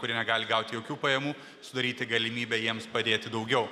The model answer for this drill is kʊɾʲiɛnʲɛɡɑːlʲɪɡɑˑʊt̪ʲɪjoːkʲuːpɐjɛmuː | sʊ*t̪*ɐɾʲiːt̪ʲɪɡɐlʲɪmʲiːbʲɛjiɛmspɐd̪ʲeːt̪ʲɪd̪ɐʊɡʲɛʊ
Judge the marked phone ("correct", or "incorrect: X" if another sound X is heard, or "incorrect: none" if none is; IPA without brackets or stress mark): incorrect: d̪